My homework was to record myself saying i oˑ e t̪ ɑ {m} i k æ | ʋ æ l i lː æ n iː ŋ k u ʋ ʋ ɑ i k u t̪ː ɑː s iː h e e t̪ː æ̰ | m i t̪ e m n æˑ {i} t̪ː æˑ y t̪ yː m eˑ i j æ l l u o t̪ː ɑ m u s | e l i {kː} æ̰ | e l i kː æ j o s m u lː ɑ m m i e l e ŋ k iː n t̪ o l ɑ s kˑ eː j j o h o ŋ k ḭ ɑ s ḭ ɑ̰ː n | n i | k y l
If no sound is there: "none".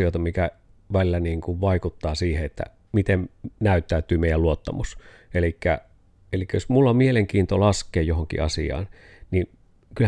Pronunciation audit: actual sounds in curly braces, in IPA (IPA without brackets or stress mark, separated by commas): m, y, kː